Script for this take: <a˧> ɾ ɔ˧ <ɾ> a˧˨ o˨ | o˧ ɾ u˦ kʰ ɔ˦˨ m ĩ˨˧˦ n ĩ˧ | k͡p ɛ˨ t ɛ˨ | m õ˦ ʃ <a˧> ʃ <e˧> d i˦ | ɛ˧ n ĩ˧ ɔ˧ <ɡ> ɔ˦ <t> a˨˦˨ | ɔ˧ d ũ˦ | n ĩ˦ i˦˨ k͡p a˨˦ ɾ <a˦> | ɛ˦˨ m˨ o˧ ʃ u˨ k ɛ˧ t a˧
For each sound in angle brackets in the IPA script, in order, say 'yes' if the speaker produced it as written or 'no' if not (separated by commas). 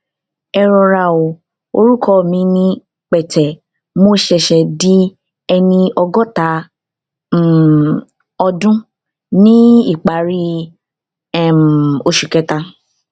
no, yes, no, no, yes, yes, no